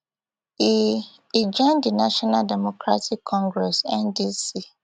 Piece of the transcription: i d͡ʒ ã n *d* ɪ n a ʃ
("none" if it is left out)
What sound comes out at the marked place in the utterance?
d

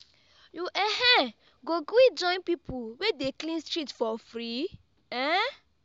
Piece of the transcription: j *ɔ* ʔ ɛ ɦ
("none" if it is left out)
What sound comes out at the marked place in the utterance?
u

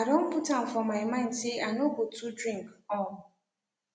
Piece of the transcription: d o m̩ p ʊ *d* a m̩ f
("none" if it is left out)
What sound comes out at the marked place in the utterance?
t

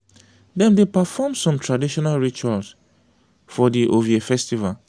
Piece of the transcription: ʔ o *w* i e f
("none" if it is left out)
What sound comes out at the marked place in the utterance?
v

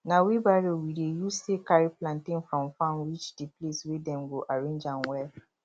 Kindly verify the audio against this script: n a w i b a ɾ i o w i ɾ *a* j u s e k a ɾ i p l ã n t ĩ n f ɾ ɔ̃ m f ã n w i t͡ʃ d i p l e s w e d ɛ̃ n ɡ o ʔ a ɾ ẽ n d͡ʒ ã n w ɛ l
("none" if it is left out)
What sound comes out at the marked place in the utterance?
e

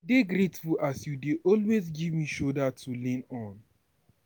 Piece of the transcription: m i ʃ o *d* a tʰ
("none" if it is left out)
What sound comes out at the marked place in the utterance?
d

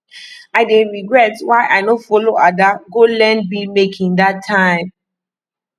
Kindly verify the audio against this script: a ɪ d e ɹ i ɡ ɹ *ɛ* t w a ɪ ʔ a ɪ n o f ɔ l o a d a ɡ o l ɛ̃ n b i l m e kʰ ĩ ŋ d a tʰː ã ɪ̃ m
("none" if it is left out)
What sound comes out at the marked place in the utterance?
ɛ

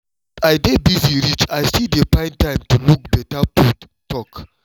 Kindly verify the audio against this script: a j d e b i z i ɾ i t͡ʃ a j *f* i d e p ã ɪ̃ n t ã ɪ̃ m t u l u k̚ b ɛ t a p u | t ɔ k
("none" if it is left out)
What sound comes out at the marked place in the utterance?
s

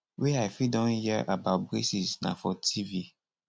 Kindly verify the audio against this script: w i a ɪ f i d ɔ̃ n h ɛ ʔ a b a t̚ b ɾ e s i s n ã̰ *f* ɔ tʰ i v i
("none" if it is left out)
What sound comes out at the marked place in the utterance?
f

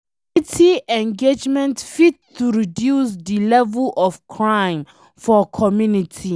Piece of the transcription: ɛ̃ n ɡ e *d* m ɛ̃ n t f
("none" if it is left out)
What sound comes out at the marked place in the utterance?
d͡ʒ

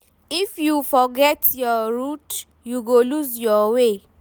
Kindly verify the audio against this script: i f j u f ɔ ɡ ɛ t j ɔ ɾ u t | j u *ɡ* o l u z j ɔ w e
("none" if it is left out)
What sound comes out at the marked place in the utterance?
ɡ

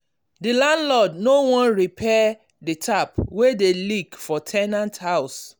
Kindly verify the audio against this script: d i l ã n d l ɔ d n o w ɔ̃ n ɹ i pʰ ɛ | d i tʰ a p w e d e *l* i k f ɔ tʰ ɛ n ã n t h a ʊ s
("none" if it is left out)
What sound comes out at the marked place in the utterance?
l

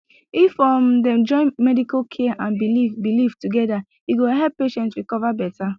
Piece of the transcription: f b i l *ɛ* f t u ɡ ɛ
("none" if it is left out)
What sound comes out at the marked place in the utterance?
i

